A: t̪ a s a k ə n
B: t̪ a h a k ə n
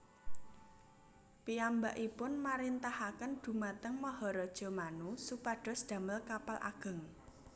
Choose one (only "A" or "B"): B